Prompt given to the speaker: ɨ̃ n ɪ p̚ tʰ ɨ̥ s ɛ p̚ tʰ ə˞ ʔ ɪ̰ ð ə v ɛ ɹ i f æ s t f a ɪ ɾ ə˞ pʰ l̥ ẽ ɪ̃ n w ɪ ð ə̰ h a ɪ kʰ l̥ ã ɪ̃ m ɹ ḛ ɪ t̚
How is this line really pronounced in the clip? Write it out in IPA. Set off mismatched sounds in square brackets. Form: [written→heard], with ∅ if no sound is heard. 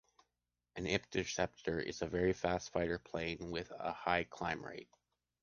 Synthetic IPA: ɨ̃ n ɪ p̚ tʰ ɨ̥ s ɛ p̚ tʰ ə˞ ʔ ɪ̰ [ð→z] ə v ɛ ɹ i f æ s t f a ɪ ɾ ə˞ pʰ l̥ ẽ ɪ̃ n w ɪ ð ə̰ h a ɪ kʰ l̥ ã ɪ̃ m ɹ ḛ ɪ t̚

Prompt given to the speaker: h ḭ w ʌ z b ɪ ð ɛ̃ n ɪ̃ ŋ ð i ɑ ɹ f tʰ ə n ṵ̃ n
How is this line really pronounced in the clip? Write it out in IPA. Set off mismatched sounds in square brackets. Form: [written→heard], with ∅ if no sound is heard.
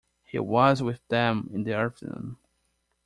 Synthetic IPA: h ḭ w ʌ z [b→w] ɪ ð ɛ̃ [n→m] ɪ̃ [ŋ→n] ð i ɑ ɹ f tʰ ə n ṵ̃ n

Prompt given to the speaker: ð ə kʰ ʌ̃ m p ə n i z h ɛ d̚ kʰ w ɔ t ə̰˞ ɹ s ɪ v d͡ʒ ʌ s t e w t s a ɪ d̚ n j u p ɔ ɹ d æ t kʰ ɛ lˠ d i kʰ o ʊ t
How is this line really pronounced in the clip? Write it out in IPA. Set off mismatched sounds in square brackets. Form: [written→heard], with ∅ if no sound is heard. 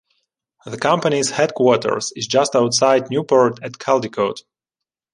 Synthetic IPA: ð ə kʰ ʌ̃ m p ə n i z h ɛ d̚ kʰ w ɔ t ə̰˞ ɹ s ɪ [v→z] d͡ʒ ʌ s t [e→a] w t s a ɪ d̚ n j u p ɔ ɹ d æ t kʰ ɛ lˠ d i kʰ o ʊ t

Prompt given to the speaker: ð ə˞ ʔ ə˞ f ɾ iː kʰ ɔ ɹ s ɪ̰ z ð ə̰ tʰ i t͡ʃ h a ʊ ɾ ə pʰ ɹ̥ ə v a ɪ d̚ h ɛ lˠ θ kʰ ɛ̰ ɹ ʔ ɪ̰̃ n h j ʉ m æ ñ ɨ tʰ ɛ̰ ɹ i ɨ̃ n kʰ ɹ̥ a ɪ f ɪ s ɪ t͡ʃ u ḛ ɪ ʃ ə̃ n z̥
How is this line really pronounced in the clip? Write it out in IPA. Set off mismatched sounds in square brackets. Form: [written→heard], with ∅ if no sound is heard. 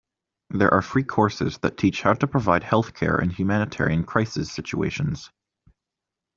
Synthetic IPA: ð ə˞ ʔ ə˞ f [ɾ→ɹ] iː kʰ ɔ ɹ s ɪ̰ z ð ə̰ tʰ i t͡ʃ h a ʊ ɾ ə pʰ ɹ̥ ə v a ɪ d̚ h ɛ lˠ θ kʰ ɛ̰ ɹ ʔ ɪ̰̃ n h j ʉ m æ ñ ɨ tʰ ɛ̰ ɹ i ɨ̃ n kʰ ɹ̥ a ɪ [f→s] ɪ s ɪ t͡ʃ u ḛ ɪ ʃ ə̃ n z̥

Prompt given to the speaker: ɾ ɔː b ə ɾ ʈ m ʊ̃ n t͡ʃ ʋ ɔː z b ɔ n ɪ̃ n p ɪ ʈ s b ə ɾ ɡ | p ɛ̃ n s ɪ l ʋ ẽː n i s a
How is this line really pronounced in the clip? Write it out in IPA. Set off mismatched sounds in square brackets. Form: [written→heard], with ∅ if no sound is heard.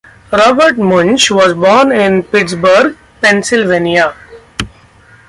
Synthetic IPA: ɾ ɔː b ə ɾ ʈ m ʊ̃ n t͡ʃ ʋ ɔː z b [ɔ→ɔː] n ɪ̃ n p ɪ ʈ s b ə ɾ ɡ | p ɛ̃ n s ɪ l ʋ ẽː n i [s→∅] a

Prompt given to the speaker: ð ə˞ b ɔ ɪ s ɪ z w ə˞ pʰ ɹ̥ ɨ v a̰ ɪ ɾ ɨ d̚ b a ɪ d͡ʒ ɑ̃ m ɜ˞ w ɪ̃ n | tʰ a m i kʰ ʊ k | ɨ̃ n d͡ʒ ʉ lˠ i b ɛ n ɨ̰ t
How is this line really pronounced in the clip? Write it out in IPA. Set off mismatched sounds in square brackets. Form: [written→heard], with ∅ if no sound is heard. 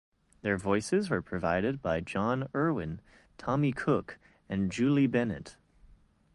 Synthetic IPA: ð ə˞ [b→v] ɔ ɪ s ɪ z w ə˞ pʰ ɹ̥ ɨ v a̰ ɪ ɾ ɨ d̚ b a ɪ d͡ʒ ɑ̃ [m→n] ɜ˞ w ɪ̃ n | tʰ [a→ɑ] m i kʰ ʊ k | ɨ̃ n d͡ʒ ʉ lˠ i b ɛ n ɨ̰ t

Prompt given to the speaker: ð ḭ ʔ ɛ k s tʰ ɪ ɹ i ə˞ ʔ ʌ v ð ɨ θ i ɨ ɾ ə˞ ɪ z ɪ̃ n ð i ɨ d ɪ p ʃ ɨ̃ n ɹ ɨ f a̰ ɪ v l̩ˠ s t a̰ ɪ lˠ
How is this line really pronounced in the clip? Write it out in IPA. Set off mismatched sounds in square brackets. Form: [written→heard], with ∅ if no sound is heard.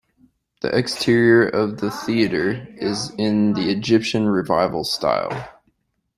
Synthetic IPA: ð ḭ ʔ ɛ k s tʰ ɪ ɹ i ə˞ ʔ ʌ v ð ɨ θ i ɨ ɾ ə˞ ɪ z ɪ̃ n ð i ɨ [d→d͡ʒ] ɪ p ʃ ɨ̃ n ɹ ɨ [f→v] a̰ ɪ v l̩ˠ s t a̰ ɪ lˠ

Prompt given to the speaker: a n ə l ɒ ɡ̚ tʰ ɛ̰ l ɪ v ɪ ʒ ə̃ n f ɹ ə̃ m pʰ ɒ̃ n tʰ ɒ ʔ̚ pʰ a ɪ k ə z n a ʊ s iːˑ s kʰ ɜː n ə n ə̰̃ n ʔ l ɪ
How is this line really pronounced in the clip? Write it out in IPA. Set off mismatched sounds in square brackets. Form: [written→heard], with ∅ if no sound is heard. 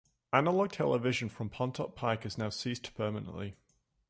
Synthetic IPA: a n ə l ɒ ɡ̚ tʰ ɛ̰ l ɪ v ɪ ʒ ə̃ n f ɹ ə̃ m pʰ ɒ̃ n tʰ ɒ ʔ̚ pʰ a ɪ k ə z n a ʊ s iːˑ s [kʰ→pʰ] ɜː [n→m] ə n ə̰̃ n ʔ l ɪ

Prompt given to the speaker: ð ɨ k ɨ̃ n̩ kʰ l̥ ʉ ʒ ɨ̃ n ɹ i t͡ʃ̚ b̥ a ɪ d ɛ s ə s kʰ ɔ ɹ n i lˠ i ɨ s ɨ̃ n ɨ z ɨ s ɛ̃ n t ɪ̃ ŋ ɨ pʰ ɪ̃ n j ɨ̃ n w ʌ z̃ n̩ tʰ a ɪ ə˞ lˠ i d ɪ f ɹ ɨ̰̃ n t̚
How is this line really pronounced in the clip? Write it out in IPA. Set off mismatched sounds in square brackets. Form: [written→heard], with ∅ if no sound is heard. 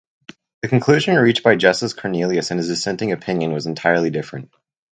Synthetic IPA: ð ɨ k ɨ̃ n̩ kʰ l̥ ʉ ʒ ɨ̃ n ɹ i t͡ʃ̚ b̥ a ɪ [d→d͡ʒ] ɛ s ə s kʰ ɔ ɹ n i lˠ i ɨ s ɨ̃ n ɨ z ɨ s ɛ̃ n t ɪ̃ ŋ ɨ pʰ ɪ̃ n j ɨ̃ n w ʌ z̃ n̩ tʰ a ɪ ə˞ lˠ i d ɪ f ɹ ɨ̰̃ n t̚

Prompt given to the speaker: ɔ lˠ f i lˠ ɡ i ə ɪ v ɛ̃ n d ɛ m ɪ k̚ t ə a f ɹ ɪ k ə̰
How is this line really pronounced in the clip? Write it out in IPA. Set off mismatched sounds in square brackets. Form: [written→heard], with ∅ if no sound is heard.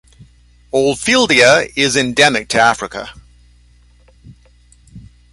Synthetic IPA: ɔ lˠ f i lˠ [ɡ→d] i ə ɪ [v→z] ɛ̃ n d ɛ m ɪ k̚ [t→tʰ] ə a f ɹ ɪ k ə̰

